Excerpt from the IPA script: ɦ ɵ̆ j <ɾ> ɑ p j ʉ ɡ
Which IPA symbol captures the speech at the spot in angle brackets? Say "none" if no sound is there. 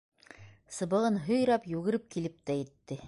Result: ɾ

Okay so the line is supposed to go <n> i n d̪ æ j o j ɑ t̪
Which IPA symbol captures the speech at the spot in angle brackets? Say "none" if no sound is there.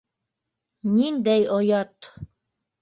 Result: n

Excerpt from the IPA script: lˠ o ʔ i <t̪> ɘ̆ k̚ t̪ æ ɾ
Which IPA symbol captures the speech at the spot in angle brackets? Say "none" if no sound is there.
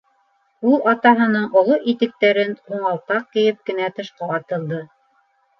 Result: t̪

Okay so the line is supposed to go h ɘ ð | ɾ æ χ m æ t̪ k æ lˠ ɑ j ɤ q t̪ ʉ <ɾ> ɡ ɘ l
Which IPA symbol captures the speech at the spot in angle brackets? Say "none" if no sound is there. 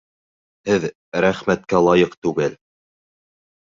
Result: none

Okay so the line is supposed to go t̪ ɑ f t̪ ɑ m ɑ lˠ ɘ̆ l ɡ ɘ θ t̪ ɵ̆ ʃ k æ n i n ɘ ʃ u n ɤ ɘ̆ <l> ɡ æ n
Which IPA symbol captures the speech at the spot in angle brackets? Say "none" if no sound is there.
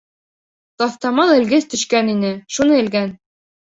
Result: l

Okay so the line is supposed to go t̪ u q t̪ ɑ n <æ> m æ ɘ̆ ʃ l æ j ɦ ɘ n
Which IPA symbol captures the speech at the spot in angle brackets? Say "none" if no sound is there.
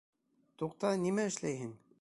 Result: i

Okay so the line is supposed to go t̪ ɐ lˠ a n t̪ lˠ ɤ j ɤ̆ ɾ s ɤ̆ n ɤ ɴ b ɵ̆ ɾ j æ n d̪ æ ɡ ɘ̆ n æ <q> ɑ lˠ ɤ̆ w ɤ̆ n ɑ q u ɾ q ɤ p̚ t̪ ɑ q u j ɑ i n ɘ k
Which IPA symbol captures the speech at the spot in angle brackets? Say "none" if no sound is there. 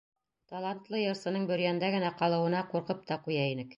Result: q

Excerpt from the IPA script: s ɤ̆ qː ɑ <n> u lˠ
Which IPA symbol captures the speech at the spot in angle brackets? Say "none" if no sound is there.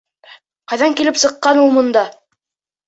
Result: n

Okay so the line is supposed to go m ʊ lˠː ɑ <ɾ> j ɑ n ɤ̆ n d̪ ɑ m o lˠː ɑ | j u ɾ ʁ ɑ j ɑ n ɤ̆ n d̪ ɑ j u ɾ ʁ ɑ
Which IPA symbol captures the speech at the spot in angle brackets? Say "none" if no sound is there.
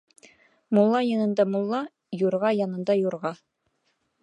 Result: none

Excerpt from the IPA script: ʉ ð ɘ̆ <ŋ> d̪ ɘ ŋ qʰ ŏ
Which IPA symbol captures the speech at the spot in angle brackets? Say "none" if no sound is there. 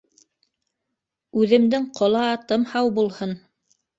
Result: m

